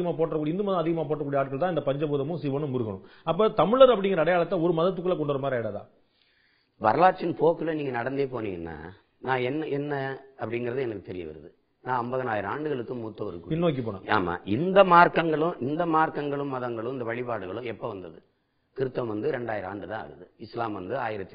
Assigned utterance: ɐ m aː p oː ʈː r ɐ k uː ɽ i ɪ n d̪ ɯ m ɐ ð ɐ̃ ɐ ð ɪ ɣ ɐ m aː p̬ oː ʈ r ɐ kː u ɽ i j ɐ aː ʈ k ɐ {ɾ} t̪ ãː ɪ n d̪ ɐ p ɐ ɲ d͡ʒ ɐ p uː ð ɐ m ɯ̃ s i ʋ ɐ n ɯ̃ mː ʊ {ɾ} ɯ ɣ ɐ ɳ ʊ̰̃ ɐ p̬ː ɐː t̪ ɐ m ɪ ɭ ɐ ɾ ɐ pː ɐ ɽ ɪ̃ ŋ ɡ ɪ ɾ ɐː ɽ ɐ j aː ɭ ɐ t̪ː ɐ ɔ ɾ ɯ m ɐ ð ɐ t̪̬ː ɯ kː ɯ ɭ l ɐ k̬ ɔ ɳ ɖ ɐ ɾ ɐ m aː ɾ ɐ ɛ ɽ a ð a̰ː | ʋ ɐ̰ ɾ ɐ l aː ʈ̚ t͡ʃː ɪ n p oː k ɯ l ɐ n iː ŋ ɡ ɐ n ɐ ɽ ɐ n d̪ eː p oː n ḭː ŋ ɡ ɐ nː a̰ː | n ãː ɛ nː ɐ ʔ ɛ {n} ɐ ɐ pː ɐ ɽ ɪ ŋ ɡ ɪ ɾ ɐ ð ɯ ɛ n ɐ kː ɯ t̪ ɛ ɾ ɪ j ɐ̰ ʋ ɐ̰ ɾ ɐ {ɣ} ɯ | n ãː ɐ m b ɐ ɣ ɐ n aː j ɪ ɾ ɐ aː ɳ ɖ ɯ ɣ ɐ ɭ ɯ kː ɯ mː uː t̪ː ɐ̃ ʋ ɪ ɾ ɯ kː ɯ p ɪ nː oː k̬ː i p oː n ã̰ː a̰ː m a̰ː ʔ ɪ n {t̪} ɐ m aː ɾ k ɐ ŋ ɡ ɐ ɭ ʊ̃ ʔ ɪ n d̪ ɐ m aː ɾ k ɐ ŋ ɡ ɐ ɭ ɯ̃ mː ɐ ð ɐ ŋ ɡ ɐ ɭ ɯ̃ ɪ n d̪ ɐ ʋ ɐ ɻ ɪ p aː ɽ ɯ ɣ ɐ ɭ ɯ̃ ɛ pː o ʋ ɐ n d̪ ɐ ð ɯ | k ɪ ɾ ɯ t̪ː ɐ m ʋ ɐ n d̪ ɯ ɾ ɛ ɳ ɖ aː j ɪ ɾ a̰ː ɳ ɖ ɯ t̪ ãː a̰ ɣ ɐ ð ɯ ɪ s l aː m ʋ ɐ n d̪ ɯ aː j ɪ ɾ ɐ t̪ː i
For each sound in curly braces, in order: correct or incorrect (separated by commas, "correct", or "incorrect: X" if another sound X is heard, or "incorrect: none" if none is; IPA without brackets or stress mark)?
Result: incorrect: ɭ, correct, incorrect: nː, incorrect: ð, incorrect: d̪